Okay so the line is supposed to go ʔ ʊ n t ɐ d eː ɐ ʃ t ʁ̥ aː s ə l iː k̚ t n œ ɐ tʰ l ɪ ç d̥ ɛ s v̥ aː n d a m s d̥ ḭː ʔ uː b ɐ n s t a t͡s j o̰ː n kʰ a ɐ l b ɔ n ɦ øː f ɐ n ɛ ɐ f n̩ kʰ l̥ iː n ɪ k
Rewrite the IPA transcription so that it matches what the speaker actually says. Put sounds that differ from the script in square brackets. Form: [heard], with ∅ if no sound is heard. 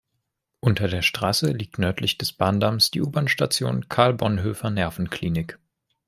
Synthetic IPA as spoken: ʔ ʊ n t ɐ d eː ɐ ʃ t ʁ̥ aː s ə l iː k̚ t n œ ɐ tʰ l ɪ ç d̥ ɛ s [b̥] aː n d a m s d̥ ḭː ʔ uː b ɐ n [ʃ] t a t͡s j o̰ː n kʰ a ɐ l b ɔ n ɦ øː f ɐ n ɛ ɐ f n̩ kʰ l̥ iː n ɪ k